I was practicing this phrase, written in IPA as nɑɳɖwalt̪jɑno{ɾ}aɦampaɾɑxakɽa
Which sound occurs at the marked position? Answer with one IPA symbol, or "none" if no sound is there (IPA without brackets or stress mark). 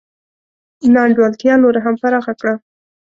ɾ